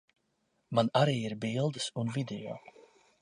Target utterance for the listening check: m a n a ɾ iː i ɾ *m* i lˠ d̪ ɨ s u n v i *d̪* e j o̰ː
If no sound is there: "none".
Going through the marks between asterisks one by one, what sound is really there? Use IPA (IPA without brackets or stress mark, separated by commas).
b, d̪